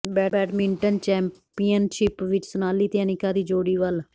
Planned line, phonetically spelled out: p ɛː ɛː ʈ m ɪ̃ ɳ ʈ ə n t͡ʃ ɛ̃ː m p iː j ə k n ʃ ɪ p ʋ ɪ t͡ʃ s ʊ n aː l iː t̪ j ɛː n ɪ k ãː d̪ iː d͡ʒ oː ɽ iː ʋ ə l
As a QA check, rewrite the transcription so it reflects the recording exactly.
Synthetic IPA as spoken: b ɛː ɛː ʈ m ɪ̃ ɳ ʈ ə n t͡ʃ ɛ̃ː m p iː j ə n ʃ ɪ p ʋ ɪ t͡ʃ s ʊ n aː l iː t̪ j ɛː n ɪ k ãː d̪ iː d͡ʒ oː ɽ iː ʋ ə l